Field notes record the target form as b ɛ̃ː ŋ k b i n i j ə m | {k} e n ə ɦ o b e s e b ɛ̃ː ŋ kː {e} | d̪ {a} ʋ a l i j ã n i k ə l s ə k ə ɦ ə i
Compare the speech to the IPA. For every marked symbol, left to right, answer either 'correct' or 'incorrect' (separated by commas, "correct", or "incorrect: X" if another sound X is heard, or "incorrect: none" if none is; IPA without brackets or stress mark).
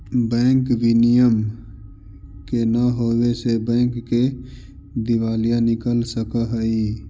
correct, correct, incorrect: i